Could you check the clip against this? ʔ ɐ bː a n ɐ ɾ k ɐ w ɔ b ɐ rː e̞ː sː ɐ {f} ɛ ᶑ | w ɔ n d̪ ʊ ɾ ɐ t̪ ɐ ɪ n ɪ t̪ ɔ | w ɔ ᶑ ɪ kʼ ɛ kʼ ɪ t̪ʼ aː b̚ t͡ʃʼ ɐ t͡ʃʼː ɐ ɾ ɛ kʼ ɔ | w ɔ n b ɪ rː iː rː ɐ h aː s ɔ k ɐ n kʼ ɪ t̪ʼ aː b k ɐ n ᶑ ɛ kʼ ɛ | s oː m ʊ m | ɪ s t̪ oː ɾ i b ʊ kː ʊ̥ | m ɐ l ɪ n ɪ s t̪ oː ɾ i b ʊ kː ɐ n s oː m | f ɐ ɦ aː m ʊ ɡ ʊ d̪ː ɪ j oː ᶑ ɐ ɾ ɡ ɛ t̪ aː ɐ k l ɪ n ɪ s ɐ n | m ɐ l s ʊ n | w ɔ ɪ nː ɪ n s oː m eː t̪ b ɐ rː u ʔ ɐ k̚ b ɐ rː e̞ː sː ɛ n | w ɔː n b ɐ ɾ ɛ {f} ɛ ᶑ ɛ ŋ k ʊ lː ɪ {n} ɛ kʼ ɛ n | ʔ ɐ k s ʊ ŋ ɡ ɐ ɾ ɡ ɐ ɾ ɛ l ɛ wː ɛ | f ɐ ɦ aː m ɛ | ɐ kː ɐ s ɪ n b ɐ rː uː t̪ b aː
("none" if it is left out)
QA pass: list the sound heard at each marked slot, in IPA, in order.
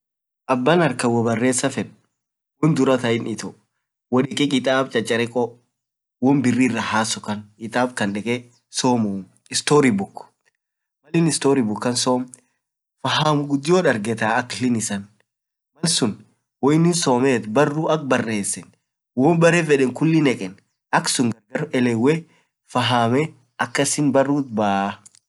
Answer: f, f, n

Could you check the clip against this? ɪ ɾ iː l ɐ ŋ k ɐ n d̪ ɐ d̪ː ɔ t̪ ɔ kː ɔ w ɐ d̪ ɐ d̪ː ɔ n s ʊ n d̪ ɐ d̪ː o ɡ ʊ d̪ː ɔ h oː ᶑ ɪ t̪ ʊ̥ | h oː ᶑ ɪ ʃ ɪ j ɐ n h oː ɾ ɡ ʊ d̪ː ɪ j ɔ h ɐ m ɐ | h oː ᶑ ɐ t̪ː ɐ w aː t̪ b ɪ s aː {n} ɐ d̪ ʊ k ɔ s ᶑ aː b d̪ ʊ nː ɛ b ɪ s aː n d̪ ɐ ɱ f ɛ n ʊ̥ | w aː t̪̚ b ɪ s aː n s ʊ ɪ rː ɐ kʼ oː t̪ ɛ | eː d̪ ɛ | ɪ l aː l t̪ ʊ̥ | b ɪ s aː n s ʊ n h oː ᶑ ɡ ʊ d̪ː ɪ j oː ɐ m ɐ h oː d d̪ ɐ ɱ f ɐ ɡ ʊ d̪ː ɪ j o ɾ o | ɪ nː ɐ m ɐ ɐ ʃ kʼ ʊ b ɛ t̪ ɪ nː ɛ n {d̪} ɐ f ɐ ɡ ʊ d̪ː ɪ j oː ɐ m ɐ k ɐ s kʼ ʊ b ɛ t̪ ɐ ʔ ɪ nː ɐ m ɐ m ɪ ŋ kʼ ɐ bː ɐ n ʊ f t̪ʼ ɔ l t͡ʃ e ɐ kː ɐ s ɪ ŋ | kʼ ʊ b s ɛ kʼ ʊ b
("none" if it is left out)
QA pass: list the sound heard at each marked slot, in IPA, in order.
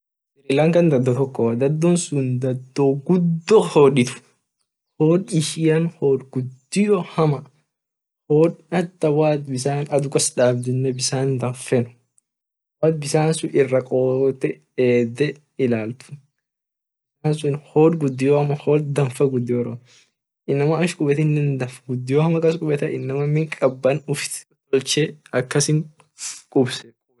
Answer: n, d̪

